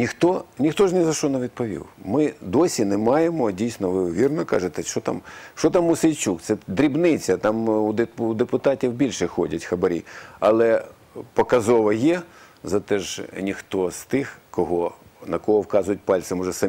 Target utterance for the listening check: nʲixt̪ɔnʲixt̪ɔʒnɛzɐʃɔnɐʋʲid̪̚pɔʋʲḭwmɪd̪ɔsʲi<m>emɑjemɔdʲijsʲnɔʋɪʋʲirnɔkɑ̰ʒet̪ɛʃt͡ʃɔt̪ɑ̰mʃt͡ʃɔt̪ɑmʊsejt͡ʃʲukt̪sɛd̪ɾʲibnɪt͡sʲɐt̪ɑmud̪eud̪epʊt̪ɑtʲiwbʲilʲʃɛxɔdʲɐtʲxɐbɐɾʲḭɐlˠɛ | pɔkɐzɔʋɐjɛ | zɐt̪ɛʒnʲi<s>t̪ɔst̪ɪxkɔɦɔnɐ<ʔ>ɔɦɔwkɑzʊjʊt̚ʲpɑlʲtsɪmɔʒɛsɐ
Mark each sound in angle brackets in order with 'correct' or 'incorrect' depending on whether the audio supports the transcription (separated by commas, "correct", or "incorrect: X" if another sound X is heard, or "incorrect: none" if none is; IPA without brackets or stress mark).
incorrect: n, incorrect: x, incorrect: k